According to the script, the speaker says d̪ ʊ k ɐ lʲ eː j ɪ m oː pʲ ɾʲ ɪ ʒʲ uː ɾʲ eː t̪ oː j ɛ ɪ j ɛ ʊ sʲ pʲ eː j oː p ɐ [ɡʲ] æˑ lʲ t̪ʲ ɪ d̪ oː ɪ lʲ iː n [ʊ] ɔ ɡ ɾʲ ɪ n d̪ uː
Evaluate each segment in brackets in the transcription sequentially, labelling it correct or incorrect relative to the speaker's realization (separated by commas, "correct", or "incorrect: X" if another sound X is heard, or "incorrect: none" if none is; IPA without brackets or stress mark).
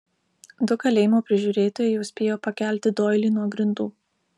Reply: incorrect: kʲ, incorrect: u